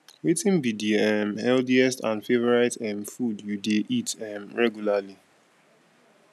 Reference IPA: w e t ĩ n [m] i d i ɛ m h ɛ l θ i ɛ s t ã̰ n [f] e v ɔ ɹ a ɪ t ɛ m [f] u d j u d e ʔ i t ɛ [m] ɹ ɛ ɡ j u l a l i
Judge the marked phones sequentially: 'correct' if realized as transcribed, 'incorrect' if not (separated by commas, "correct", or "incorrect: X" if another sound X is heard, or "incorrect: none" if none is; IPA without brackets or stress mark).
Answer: incorrect: b, correct, correct, correct